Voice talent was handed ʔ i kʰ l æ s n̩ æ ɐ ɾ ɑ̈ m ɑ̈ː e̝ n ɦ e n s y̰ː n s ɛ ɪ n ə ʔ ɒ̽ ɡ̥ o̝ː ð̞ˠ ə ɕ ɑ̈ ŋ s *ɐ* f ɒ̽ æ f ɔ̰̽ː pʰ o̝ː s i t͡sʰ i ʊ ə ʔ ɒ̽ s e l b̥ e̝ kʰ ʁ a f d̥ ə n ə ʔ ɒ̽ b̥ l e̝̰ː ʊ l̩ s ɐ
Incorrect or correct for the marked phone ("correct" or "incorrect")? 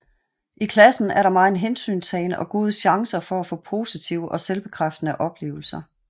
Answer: correct